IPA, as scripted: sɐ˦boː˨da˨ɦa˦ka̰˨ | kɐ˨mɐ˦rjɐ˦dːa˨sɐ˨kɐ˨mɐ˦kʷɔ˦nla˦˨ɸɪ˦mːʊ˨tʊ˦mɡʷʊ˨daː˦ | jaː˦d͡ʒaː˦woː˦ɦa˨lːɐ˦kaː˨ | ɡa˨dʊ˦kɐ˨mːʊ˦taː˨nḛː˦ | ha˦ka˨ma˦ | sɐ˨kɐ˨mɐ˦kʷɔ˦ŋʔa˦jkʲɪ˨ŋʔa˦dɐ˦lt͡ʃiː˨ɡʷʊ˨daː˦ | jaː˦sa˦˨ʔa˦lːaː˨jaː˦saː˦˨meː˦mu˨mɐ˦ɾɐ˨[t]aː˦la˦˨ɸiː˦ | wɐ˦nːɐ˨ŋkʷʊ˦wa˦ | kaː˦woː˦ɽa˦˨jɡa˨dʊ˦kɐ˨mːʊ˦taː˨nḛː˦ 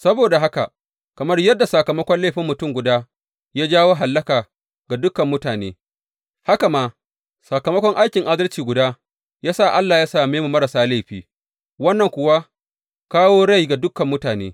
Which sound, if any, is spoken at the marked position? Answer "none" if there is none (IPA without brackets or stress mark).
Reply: s